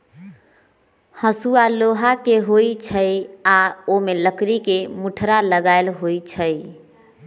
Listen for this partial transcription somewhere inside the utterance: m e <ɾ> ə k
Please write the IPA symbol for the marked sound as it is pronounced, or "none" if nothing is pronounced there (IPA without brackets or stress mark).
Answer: l